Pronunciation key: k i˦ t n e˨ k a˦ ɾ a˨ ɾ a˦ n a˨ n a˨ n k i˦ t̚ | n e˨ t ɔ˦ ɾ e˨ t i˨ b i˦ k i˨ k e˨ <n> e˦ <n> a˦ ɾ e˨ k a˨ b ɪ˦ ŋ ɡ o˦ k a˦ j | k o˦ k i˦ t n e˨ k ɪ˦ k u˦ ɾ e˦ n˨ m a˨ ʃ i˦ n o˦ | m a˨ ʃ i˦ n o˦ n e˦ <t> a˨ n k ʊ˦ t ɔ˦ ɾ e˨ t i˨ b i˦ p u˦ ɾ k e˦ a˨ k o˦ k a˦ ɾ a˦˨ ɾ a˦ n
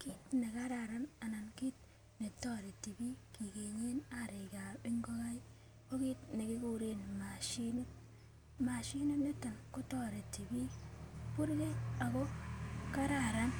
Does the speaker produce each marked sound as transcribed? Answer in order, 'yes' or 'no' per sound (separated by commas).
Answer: no, yes, yes